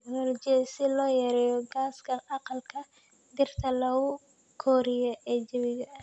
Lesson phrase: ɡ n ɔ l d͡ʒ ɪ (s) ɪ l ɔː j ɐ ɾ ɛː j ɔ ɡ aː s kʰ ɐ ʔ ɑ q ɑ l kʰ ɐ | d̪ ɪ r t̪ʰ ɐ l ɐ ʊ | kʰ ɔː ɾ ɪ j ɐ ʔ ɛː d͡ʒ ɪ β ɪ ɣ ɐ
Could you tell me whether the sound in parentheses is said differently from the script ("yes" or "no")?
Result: no